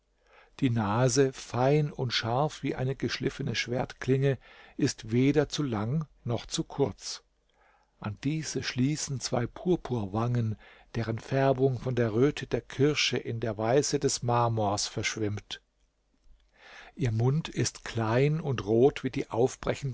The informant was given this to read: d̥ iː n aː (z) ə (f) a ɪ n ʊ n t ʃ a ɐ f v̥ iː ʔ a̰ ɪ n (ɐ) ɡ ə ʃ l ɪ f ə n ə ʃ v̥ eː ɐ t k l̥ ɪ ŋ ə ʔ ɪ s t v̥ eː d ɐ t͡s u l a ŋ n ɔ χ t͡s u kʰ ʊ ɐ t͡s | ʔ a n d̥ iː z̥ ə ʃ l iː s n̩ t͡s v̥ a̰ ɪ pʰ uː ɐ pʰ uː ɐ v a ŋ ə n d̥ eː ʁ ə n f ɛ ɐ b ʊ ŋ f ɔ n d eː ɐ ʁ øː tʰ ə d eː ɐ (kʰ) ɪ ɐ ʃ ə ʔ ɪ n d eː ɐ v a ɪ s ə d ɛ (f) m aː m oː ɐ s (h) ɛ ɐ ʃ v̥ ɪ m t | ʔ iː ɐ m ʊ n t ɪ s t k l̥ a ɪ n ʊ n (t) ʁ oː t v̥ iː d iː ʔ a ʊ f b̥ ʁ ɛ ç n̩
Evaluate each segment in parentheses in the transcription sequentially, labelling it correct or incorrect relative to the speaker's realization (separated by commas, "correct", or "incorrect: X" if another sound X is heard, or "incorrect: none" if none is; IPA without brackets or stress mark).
correct, correct, incorrect: ə, correct, incorrect: s, incorrect: f, correct